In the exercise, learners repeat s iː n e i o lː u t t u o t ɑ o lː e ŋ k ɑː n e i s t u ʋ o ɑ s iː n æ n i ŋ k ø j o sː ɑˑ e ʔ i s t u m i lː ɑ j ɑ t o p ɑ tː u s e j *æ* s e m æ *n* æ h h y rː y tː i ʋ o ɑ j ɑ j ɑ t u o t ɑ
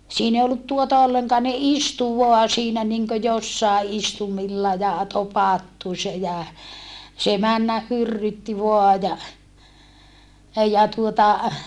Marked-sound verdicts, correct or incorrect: correct, incorrect: nː

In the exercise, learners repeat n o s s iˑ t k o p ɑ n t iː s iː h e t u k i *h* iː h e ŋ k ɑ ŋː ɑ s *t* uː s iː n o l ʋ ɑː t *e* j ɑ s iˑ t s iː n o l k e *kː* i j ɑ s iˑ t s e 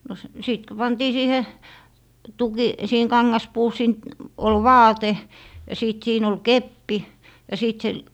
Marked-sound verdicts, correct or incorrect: incorrect: s, incorrect: p, correct, incorrect: pː

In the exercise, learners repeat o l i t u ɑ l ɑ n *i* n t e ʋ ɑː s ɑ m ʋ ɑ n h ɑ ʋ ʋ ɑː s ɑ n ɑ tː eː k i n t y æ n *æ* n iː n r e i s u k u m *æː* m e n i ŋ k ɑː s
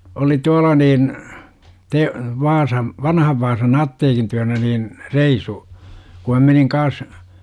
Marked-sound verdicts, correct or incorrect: incorrect: iː, correct, incorrect: æ

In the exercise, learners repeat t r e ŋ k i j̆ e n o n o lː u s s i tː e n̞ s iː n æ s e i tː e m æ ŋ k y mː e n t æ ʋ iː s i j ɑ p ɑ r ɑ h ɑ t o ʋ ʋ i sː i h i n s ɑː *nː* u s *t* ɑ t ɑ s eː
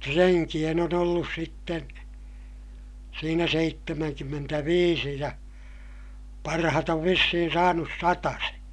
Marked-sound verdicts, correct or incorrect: incorrect: n, incorrect: s

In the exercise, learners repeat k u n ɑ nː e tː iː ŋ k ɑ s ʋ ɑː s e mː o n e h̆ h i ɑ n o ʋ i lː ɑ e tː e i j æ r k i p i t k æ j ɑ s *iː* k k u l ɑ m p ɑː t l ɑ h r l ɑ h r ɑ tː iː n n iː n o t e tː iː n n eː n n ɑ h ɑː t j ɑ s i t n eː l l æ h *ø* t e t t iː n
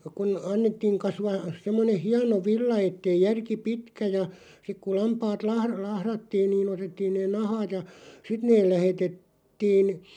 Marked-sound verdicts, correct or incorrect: incorrect: i, incorrect: e

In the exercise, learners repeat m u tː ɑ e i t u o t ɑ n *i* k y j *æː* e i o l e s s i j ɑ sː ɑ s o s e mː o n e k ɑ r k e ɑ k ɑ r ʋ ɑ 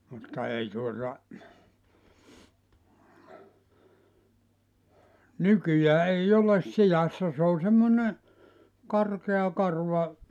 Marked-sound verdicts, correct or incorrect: incorrect: y, correct

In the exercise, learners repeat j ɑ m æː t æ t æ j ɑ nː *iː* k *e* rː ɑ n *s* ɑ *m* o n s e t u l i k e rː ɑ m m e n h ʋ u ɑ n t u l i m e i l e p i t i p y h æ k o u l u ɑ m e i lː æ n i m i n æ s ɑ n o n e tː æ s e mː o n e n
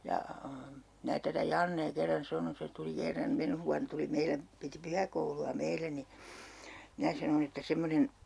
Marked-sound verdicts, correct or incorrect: incorrect: eː, correct, correct, incorrect: n

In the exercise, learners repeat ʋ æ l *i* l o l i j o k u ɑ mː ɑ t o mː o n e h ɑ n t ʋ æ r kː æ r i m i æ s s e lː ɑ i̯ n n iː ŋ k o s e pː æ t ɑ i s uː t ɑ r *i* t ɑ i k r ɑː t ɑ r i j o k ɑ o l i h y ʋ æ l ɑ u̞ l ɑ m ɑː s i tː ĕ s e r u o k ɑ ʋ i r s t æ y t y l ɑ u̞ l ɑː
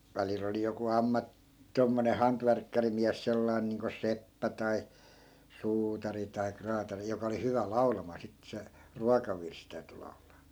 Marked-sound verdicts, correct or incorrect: correct, correct

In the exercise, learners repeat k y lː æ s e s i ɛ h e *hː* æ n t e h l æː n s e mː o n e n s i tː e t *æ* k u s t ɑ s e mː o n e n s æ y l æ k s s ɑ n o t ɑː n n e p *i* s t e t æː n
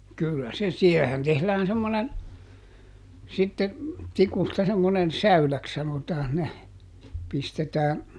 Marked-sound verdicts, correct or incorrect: incorrect: h, incorrect: i, correct

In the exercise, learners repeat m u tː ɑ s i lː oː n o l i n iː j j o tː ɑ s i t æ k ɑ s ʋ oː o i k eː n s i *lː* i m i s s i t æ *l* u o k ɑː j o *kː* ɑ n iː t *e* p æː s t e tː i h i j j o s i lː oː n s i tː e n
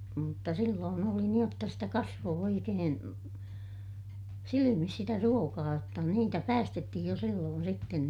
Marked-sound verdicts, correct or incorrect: incorrect: l, incorrect: r, incorrect: tː, incorrect: æ

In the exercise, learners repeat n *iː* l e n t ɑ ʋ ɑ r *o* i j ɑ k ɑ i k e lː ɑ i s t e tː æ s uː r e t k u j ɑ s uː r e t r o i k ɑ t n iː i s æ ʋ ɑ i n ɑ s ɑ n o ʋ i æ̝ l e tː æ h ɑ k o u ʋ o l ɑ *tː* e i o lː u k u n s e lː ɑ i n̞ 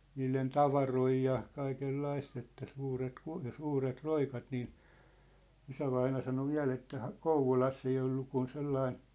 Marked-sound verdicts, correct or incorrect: correct, correct, incorrect: sː

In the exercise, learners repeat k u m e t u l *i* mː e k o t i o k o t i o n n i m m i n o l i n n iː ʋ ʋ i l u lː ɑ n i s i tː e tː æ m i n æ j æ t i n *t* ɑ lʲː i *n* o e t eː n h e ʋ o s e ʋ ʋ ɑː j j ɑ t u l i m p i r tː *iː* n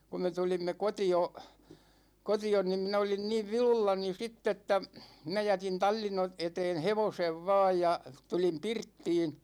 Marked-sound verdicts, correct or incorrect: correct, correct, correct, correct

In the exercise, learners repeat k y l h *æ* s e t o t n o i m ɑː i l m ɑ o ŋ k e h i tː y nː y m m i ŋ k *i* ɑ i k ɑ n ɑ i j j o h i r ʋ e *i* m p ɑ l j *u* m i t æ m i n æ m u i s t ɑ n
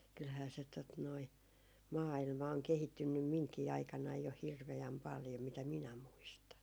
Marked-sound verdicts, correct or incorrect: incorrect: æː, incorrect: iː, incorrect: æ, incorrect: o

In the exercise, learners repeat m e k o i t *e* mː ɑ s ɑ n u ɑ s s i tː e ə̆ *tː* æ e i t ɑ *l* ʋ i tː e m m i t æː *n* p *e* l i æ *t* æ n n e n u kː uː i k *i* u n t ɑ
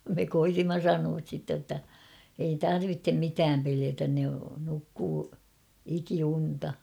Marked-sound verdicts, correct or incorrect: incorrect: i, correct, incorrect: r, incorrect: m, correct, correct, correct

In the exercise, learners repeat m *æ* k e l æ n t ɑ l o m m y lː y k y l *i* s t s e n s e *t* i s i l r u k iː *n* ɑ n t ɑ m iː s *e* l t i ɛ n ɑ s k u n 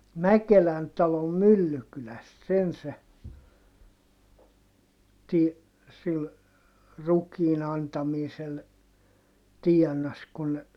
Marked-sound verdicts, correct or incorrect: correct, incorrect: æ, correct, correct, correct

